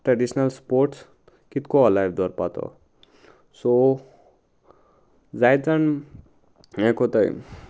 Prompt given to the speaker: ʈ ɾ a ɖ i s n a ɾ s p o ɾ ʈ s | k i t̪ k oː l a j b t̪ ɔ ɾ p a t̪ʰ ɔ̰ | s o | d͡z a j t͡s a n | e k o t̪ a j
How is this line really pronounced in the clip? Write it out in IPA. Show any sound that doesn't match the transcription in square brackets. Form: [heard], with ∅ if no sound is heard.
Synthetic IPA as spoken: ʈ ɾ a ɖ i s n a [l] s p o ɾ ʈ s | k i t̪ k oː l a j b [d̪] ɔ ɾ p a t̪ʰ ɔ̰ | s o | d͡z a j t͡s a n | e k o t̪ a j

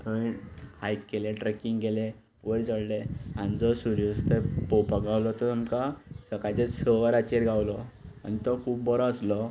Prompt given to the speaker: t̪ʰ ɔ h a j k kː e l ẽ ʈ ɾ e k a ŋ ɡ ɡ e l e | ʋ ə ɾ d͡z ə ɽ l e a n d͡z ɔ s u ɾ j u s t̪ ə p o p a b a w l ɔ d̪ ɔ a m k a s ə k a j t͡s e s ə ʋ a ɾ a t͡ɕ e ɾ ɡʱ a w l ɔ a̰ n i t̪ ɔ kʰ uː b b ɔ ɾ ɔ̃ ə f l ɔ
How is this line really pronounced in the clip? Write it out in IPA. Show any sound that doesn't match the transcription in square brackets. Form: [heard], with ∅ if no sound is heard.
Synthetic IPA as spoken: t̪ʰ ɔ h a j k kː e l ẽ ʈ ɾ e k [i] ŋ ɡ ɡ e l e | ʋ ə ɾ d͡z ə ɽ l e a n d͡z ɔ s u ɾ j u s t̪ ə p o p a [ɡ] a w l ɔ [t̪] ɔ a m k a s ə k a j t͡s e s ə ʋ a ɾ a t͡ɕ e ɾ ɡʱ a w l ɔ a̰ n i t̪ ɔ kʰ uː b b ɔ ɾ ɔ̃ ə [s] l ɔ

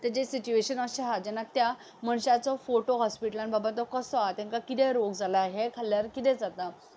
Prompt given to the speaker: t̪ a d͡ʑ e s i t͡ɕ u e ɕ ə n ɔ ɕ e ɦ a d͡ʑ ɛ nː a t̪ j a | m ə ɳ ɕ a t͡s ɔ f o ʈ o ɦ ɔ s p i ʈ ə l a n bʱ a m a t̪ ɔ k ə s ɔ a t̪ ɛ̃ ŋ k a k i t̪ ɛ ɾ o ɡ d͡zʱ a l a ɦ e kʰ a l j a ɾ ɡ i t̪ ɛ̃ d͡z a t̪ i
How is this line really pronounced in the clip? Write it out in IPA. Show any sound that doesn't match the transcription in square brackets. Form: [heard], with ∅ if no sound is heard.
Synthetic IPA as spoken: t̪ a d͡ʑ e s i t͡ɕ u e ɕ ə n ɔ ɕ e ɦ a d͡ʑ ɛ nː a t̪ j a | m ə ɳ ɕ a t͡s ɔ f o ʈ o ɦ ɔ s p i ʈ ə l a n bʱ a [b] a t̪ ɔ k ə s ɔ a t̪ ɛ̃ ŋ k a k i t̪ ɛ ɾ o ɡ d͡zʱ a l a ɦ e kʰ a l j a ɾ [k] i t̪ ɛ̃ d͡z a t̪ [a]

